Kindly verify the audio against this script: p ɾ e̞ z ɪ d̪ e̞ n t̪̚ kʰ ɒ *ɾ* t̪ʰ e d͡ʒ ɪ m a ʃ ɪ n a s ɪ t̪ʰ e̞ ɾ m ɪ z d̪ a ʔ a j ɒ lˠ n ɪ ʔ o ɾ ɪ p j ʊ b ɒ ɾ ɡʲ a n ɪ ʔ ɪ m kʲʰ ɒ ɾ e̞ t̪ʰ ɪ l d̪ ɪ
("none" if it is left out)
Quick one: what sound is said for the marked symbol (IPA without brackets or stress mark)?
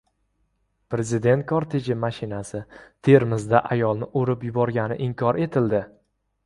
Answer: ɾ